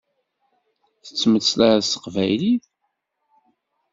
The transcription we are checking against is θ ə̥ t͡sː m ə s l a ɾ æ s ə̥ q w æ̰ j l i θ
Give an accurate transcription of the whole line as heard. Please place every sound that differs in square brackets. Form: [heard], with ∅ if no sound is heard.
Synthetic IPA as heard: θ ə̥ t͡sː m ə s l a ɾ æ s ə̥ q [v] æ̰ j l i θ